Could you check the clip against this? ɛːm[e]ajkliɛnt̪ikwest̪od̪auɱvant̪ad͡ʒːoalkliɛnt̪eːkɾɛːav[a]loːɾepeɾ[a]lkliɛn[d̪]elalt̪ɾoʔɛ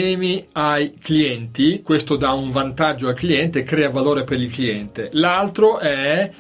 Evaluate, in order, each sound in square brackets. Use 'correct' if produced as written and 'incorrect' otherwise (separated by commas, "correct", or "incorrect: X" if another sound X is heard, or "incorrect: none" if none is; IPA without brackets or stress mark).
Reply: incorrect: i, correct, incorrect: i, incorrect: t̪